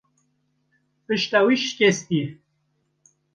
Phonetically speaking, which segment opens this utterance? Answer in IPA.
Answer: p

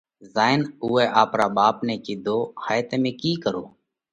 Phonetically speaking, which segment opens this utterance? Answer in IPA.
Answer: z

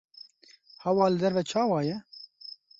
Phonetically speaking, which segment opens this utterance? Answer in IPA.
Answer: h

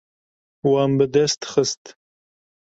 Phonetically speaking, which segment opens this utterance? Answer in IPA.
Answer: w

